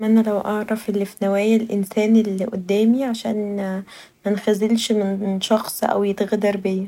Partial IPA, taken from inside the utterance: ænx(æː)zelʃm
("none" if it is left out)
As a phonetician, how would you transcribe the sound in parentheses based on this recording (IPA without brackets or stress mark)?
æ